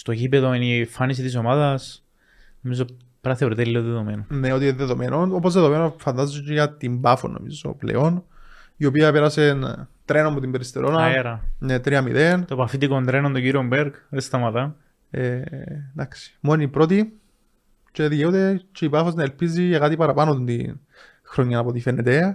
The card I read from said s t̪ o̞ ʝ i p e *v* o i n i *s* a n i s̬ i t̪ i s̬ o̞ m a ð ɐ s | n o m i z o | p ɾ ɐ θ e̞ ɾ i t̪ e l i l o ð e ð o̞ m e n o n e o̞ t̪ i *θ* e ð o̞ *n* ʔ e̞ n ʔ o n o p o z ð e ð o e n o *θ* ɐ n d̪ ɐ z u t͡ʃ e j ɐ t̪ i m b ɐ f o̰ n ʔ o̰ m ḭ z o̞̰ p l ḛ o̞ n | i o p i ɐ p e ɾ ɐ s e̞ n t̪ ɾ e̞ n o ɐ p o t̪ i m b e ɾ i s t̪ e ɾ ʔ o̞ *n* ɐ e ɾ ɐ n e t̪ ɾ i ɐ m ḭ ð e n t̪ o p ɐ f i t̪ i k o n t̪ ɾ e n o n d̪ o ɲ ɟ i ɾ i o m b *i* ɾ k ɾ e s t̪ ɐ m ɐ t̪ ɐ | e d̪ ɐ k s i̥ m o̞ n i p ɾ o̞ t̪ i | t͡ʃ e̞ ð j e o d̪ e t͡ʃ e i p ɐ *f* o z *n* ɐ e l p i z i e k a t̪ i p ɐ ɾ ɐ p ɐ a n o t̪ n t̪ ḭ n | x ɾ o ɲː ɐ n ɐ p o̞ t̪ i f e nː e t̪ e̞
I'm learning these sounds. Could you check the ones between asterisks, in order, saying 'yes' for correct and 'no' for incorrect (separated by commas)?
no, no, no, no, no, yes, no, yes, yes